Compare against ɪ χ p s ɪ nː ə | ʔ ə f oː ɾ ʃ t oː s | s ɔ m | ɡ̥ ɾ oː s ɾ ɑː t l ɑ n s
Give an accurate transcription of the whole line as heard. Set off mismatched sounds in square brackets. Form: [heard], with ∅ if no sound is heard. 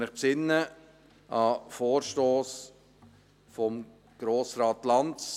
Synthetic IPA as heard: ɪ χ p s ɪ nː ə | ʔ [ɑ] f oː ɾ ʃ t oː s | [f] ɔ m | ɡ̥ ɾ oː s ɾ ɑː t l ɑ n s